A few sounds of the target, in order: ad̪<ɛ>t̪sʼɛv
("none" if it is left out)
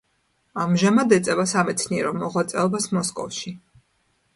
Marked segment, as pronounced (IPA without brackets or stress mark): ɛ